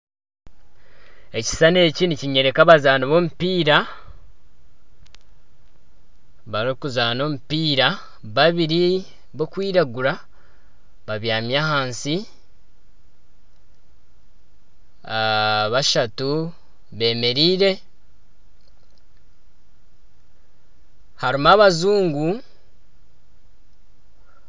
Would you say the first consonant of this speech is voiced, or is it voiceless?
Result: voiceless